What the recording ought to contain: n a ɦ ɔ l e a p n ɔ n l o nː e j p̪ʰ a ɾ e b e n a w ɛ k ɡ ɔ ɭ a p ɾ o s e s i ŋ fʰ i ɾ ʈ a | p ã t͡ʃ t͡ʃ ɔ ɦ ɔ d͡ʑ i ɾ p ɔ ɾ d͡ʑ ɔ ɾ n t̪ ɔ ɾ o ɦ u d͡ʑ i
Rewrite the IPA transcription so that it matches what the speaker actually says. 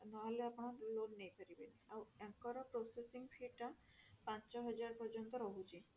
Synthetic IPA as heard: n a ɦ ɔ l e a p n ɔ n l o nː e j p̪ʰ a ɾ i b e n a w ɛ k k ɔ ɾ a p ɾ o s e s i ŋ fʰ i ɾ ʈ a | p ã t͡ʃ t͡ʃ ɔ ɦ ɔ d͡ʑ a ɾ p ɔ ɾ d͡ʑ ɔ n t̪ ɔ ɾ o ɦ u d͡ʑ i